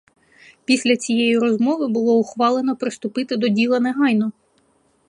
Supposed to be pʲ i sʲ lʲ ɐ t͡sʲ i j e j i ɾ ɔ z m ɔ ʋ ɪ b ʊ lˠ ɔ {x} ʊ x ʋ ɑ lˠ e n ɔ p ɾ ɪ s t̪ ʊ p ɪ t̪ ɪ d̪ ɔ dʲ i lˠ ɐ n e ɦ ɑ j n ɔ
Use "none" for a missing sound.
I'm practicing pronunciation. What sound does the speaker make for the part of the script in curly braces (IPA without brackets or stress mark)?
none